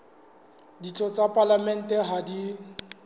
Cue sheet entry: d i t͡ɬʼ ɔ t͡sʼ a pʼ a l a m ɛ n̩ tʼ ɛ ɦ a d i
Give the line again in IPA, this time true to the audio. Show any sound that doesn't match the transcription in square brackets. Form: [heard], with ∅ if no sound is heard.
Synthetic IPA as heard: d i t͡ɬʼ ɔ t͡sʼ a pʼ a l a m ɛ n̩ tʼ ɛ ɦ a d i